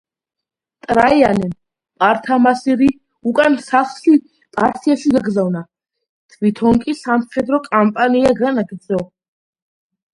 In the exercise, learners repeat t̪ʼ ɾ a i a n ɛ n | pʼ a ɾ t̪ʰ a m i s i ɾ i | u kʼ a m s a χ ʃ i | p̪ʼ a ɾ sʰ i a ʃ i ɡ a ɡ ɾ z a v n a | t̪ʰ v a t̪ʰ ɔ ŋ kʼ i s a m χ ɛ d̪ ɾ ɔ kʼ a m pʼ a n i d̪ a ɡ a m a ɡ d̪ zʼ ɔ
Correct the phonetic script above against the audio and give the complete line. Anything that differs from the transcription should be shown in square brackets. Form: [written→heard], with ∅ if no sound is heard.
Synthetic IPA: t̪ʼ ɾ a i a n ɛ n | pʼ a ɾ t̪ʰ a m [i→a] s i ɾ i | u kʼ a [m→n] s a χ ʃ i | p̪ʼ a ɾ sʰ i a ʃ i ɡ a ɡ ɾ z a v n a | t̪ʰ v [a→i] t̪ʰ ɔ ŋ kʼ i s a m χ ɛ d̪ ɾ ɔ kʼ a m pʼ a n i [d̪→∅] a ɡ a [m→n] a ɡ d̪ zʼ ɔ

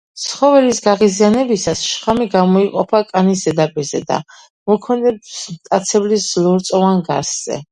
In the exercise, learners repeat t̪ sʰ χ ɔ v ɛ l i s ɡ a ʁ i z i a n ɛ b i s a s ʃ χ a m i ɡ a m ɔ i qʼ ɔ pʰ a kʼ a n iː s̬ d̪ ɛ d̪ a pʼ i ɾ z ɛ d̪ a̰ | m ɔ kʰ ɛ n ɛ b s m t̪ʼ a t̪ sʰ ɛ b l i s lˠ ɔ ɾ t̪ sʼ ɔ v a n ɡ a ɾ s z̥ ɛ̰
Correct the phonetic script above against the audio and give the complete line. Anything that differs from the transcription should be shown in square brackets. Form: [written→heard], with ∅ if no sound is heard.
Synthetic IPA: t̪ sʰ χ ɔ v ɛ l i s ɡ a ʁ i z i a n ɛ b i s a s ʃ χ a m i ɡ a m ɔ i qʼ ɔ pʰ a kʼ a n [iː→i] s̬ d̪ ɛ d̪ a pʼ i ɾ z ɛ d̪ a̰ | m ɔ kʰ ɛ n ɛ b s m t̪ʼ a t̪ sʰ ɛ b l i s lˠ ɔ ɾ t̪ sʼ ɔ v a n ɡ a ɾ s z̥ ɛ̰

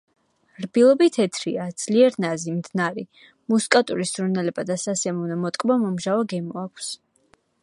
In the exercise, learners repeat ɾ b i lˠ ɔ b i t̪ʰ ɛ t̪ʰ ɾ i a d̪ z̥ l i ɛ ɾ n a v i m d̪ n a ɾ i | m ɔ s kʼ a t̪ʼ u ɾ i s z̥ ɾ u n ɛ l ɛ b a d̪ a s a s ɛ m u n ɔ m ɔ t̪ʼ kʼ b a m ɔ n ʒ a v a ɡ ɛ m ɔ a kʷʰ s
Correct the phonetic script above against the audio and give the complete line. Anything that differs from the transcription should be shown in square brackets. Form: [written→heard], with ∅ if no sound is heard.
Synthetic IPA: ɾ b i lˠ ɔ b i t̪ʰ ɛ t̪ʰ ɾ i a d̪ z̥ l i ɛ ɾ n a [v→z] i m d̪ n a ɾ i | m [ɔ→u] s kʼ a t̪ʼ u ɾ i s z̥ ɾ u n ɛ l ɛ b a d̪ a s a s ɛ m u n ɔ m ɔ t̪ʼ kʼ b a m ɔ [n→m] ʒ a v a ɡ ɛ m ɔ a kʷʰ s

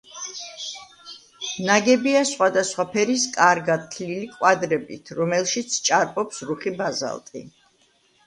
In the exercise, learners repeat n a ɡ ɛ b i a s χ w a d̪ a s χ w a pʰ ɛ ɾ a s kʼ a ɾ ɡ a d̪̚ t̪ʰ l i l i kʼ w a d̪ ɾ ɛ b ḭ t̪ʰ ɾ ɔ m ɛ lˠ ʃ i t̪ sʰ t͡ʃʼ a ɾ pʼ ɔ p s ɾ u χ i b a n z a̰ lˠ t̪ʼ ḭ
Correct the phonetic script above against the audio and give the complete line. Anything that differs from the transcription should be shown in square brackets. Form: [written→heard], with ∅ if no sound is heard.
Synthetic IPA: n a ɡ ɛ b i a s χ w a d̪ a s χ w a pʰ ɛ ɾ [a→i] s kʼ a ɾ ɡ a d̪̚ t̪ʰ l i l i kʼ w a d̪ ɾ ɛ b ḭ t̪ʰ ɾ ɔ m ɛ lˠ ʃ i t̪ sʰ t͡ʃʼ a ɾ pʼ ɔ p s ɾ u χ i b a [n→∅] z a̰ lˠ t̪ʼ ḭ

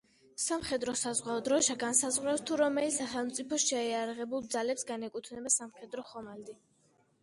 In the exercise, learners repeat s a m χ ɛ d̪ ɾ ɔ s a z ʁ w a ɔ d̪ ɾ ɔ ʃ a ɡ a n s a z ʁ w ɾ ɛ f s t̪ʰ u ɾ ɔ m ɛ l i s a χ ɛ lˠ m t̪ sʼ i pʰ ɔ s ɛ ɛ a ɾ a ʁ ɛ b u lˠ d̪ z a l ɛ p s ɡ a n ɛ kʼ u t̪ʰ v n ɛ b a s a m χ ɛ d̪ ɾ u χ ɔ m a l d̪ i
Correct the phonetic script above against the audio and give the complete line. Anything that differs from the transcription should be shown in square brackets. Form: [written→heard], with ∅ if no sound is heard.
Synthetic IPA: s a m χ ɛ d̪ ɾ ɔ s a z ʁ w a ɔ d̪ ɾ ɔ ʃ a ɡ a n s a z ʁ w ɾ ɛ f s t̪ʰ u ɾ ɔ m ɛ l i s a χ ɛ lˠ m t̪ sʼ i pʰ ɔ [s→ʃ] ɛ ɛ a ɾ a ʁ ɛ b u lˠ d̪ z a l ɛ p s ɡ a n ɛ kʼ u t̪ʰ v n ɛ b a s a m χ ɛ d̪ ɾ [u→ɔ] χ ɔ m a l d̪ i

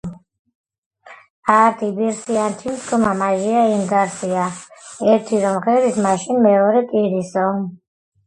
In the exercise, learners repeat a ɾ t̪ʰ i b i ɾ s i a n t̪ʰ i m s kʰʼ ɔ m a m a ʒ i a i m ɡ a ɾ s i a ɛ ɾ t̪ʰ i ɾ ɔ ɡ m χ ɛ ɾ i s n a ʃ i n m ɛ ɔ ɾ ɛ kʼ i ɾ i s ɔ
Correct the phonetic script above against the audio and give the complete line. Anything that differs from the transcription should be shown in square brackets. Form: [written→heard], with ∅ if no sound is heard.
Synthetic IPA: a ɾ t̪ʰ i b i ɾ s i a n t̪ʰ i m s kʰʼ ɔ m a m a ʒ i a i m ɡ a ɾ s i a ɛ ɾ t̪ʰ i ɾ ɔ [ɡ→∅] m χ ɛ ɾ i s [n→m] a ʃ i n m ɛ ɔ ɾ ɛ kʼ i ɾ i s ɔ

